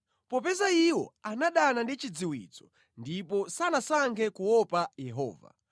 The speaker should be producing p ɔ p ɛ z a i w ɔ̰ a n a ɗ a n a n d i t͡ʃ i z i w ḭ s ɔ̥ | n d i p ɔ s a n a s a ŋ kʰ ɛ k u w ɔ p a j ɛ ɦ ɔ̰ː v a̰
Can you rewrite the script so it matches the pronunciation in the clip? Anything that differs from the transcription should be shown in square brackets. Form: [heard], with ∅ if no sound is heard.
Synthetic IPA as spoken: p ɔ p ɛ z a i w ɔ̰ a n a ɗ a n a n d i t͡ʃ i [d͡z] i w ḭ [t͡s] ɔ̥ | n d i p ɔ s a n a s a ŋ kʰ ɛ k u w ɔ p a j ɛ ɦ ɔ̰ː v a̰